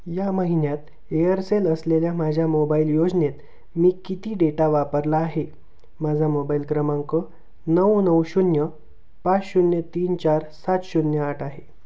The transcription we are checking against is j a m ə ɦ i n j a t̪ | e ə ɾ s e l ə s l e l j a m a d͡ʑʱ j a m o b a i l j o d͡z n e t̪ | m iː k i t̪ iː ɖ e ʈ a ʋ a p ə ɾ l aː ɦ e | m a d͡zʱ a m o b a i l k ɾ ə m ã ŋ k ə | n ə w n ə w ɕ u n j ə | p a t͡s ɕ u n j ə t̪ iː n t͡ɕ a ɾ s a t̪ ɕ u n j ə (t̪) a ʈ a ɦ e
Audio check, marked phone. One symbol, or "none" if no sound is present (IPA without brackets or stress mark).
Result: none